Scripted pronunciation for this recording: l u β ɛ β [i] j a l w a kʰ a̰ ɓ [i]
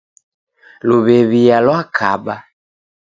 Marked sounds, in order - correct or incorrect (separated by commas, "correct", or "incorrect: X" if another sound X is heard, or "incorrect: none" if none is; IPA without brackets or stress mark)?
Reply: correct, incorrect: a